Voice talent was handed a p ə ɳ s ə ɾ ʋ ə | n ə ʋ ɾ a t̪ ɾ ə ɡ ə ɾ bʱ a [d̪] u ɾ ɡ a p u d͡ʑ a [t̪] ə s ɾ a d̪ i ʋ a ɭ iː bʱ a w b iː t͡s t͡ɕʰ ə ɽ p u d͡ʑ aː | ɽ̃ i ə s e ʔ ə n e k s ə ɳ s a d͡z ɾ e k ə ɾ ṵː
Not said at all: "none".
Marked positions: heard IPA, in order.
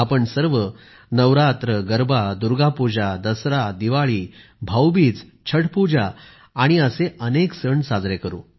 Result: d̪, d̪

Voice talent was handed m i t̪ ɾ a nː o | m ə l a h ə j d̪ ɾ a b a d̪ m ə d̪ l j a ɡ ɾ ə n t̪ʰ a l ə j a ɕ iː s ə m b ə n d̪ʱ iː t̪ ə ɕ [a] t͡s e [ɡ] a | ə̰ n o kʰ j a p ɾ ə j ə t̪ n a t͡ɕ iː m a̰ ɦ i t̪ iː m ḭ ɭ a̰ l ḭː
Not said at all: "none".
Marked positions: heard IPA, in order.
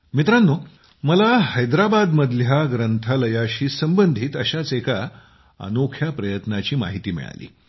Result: a, k

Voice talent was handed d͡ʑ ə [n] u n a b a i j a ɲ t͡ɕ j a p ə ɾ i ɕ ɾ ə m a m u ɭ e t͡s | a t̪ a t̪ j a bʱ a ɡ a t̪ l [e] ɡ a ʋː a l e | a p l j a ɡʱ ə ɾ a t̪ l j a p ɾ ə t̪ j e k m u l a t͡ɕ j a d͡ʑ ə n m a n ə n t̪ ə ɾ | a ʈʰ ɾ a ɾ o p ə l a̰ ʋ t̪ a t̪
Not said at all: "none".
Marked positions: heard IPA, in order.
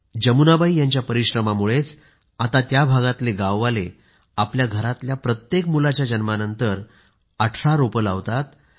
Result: m, e

